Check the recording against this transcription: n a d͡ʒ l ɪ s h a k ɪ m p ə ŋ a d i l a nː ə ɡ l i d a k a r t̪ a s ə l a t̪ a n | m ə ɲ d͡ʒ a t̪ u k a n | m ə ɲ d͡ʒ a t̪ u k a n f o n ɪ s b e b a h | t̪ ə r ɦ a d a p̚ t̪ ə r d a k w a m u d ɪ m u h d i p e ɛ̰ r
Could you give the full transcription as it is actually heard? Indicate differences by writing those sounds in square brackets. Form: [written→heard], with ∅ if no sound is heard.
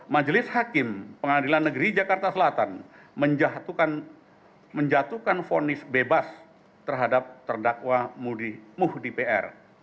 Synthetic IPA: [n→m] a d͡ʒ l ɪ s h a k ɪ m p ə ŋ a d i l a nː ə ɡ [l→ɾ] i [d→d͡ʒ] a k a r t̪ a s ə l a t̪ a n | m ə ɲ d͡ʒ a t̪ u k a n | m ə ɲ d͡ʒ a t̪ u k a n f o n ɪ s b e b a [h→s] | t̪ ə r ɦ a d a p̚ t̪ ə r d a k w a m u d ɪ m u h d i p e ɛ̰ r